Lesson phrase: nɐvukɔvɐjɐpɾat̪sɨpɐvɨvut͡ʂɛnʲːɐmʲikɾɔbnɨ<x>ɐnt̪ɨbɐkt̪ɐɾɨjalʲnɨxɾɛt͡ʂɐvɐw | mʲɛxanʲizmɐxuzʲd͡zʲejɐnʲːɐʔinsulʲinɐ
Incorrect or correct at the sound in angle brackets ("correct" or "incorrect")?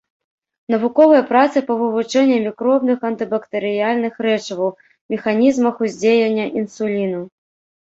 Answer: correct